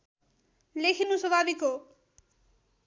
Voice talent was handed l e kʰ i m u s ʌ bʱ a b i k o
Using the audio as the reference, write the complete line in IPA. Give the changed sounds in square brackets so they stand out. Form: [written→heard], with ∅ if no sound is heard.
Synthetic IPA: l e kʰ i [m→n] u s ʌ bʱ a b i k o